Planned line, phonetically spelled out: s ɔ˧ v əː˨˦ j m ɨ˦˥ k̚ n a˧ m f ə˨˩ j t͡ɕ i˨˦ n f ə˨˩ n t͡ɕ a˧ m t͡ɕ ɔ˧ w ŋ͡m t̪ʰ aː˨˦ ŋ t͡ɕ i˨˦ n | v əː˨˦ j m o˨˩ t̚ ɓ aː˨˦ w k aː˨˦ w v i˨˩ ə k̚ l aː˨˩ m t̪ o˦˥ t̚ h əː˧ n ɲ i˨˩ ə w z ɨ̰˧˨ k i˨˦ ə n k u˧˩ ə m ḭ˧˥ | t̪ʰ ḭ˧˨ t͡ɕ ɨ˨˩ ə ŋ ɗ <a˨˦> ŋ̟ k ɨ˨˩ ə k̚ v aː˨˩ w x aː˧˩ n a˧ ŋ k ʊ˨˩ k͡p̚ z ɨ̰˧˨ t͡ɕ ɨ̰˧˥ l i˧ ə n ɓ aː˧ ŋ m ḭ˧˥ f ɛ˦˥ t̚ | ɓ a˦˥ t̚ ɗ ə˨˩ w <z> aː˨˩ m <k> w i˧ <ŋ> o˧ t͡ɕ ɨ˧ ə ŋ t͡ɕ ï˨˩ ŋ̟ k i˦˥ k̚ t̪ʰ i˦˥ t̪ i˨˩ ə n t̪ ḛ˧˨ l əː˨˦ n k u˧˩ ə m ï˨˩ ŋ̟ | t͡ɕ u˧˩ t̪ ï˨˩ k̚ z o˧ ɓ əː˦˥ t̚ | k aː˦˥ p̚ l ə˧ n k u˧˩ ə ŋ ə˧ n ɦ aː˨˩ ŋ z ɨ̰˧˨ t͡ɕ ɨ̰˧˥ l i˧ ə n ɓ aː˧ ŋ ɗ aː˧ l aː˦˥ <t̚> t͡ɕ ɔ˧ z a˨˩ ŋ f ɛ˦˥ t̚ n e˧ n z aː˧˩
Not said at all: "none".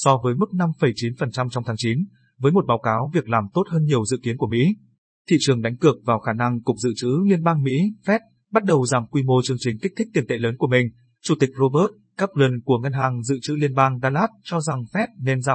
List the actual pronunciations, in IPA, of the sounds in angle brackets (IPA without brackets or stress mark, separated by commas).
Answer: a˨˦, z, k, m, t̚